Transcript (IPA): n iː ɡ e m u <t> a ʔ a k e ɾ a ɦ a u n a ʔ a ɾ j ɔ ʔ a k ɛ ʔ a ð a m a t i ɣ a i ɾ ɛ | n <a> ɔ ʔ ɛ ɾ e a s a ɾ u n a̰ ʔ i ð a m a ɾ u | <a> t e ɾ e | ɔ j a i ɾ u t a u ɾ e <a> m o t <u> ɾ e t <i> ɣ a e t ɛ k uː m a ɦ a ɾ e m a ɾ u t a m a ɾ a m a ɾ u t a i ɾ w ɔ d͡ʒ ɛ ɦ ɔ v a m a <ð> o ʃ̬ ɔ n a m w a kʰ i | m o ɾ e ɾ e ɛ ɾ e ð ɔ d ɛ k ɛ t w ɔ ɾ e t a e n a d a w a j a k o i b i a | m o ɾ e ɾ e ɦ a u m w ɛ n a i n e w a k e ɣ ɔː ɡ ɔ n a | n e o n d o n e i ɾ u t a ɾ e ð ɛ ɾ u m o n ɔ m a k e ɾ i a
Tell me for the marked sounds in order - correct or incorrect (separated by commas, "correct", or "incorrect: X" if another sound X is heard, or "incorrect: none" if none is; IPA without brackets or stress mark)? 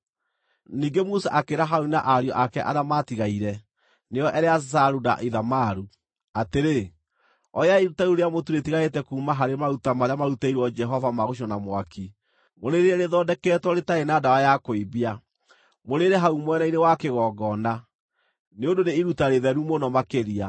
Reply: incorrect: s, incorrect: e, correct, correct, correct, correct, incorrect: ɣ